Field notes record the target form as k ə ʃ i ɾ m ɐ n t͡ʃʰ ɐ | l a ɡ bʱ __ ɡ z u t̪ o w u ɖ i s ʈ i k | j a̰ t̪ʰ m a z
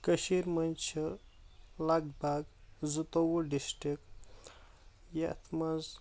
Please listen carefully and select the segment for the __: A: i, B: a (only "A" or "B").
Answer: B